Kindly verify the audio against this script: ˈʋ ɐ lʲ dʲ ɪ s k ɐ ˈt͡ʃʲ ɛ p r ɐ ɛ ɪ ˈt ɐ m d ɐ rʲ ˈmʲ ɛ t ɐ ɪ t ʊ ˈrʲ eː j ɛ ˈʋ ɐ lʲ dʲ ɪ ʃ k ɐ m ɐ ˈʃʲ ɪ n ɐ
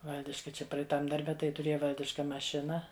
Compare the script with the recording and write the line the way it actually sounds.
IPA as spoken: ˈʋ ɐ lʲ dʲ ɪ ʃ k ɐ ˈt͡ʃʲ ɛ p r ɐ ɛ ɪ ˈt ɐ m d ɐ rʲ ˈbʲ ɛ t ɐ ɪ t ʊ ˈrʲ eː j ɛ ˈʋ ɐ lʲ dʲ ɪ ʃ k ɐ m ɐ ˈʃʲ ɪ n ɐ